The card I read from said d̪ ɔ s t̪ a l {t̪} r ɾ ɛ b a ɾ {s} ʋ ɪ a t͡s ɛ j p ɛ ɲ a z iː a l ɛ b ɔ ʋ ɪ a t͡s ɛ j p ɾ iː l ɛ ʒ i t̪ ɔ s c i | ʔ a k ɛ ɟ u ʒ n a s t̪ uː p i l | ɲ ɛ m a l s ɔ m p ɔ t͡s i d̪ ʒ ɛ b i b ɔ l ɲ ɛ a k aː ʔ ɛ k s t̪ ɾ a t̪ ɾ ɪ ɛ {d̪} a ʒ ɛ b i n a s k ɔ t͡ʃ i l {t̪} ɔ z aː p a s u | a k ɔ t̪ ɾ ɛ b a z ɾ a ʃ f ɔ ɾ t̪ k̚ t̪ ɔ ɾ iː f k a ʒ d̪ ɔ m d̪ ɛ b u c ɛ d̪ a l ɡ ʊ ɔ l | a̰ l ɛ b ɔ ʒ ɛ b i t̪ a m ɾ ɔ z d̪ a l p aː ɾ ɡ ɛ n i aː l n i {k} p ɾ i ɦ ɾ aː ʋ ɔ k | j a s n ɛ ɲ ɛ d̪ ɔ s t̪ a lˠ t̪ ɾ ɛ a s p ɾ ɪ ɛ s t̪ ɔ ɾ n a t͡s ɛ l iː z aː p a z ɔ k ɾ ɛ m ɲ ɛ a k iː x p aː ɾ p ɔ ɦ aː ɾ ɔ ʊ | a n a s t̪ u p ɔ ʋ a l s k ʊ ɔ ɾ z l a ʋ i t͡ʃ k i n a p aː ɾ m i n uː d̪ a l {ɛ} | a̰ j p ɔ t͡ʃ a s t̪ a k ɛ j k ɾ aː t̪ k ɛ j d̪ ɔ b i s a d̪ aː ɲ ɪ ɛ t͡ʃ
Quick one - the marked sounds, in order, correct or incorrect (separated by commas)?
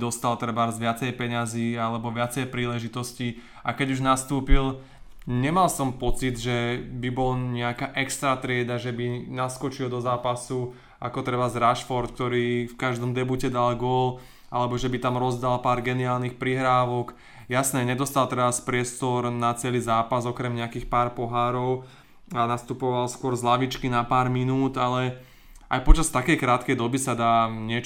correct, incorrect, correct, incorrect, incorrect, correct